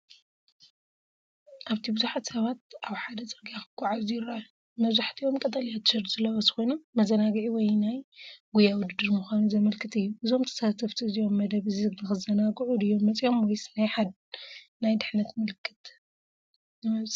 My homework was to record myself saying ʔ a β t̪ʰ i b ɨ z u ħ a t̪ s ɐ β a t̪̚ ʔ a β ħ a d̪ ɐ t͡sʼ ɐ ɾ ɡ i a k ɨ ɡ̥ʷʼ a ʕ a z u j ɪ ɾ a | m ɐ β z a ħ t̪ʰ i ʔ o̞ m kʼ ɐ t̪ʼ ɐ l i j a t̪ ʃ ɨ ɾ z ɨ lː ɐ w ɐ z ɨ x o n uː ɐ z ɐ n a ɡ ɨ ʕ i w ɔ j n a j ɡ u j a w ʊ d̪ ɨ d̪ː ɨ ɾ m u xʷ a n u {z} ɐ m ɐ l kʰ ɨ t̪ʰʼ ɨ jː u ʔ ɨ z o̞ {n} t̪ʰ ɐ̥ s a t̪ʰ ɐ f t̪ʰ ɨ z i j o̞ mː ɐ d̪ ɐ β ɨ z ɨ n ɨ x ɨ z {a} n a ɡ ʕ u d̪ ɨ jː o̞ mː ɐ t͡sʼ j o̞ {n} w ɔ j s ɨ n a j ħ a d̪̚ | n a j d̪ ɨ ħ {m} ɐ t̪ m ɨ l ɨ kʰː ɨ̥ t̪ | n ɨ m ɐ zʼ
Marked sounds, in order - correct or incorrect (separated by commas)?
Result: correct, incorrect, incorrect, incorrect, incorrect